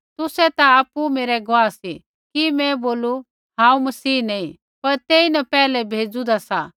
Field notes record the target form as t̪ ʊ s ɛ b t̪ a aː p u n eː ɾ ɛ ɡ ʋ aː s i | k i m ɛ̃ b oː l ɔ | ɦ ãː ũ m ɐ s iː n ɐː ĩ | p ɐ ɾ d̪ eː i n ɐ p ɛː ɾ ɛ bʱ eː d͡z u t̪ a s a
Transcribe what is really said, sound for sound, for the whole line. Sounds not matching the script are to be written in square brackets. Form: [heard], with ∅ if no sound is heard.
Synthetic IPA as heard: t̪ ʊ s ɛ [∅] t̪ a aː p u [m] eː ɾ ɛ ɡ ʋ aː s i | k i m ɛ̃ b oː l [u] | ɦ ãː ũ m ɐ s iː n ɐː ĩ | p ɐ ɾ [t̪] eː i n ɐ p ɛː [l] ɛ bʱ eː d͡z u [d̪] a s a